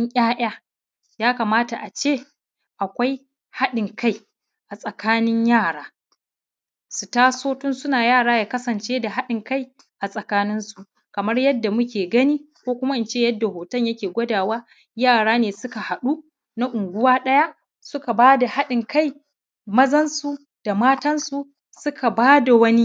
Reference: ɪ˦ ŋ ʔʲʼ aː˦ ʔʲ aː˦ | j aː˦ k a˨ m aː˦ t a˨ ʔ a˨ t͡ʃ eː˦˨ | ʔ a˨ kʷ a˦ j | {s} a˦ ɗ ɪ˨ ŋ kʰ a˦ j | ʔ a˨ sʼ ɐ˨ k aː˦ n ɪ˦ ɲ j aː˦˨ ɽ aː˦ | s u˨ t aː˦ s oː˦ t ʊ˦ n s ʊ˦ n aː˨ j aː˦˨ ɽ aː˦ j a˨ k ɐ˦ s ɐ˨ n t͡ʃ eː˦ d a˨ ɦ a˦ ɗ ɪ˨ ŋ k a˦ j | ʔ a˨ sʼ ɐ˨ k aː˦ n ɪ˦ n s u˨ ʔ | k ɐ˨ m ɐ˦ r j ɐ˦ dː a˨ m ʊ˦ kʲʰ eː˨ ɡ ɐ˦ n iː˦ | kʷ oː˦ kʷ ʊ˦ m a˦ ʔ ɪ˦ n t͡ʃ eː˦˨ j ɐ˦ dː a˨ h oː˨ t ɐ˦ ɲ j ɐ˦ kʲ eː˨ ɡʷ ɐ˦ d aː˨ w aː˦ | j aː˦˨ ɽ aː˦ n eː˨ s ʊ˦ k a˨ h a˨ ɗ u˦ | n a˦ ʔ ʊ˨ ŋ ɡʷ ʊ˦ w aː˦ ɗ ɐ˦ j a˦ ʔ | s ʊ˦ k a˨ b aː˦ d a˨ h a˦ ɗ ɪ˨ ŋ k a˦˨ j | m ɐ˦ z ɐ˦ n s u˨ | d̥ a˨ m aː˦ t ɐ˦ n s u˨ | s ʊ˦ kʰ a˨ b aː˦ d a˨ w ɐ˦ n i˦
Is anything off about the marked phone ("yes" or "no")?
yes